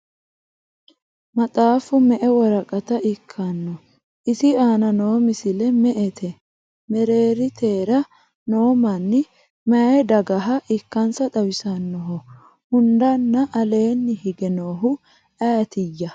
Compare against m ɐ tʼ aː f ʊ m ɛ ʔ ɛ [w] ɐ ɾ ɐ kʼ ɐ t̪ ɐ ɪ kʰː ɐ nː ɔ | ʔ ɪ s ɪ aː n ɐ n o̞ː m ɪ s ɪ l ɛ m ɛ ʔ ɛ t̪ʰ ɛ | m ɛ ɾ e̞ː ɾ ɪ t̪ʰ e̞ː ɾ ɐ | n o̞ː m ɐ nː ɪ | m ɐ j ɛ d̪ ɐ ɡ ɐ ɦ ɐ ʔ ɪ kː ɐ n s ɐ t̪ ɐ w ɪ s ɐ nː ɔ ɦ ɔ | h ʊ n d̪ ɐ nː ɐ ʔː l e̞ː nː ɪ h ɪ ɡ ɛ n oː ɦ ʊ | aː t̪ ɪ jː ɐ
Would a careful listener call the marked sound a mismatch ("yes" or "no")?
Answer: no